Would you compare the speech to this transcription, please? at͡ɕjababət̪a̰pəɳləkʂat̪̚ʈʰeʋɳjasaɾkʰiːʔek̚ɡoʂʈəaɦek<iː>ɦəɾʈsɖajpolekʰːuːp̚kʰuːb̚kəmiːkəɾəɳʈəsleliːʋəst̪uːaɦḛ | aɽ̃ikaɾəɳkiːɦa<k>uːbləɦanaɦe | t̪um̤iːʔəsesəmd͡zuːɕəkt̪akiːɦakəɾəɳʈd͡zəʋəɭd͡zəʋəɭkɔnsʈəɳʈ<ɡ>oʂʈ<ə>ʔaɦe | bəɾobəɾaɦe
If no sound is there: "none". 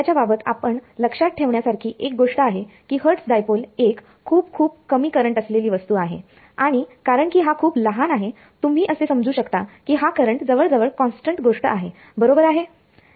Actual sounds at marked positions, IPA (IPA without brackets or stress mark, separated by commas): iː, kʰ, ɡ, ə